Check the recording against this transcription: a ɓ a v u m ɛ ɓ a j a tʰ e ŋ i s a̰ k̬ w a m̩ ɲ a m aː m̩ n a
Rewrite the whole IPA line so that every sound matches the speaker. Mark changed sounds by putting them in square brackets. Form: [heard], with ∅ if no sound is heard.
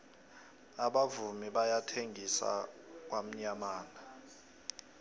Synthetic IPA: a ɓ a v u m [i] ɓ a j a tʰ e ŋ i s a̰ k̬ w a m̩ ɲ a m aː [∅] n a